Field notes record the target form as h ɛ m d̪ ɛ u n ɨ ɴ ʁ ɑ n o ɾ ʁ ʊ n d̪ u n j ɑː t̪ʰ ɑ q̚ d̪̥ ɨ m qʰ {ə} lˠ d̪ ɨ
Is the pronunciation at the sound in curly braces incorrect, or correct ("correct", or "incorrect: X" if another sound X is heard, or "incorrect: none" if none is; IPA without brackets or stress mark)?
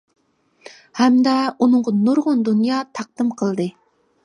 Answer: correct